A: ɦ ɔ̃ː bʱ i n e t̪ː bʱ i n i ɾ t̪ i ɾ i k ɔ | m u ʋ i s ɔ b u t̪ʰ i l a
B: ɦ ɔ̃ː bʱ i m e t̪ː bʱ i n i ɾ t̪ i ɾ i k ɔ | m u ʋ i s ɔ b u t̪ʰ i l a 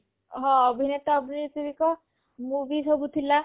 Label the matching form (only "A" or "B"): A